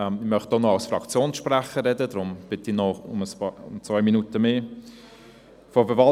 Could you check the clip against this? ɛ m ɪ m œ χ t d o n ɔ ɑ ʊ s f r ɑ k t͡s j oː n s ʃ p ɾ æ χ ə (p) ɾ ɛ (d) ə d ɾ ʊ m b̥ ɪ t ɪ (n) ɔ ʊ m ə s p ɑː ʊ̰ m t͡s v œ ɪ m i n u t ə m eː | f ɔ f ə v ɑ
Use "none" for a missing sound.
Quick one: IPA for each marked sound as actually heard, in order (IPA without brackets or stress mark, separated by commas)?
none, d, n